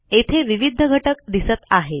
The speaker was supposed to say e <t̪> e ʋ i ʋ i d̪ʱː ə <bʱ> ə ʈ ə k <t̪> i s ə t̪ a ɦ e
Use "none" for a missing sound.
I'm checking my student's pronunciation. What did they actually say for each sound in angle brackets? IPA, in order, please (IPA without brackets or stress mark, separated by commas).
t̪ʰ, ɡʱ, d̪